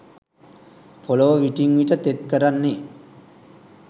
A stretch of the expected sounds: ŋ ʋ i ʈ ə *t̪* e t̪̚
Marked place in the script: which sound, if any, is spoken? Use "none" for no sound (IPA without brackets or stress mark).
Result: t̪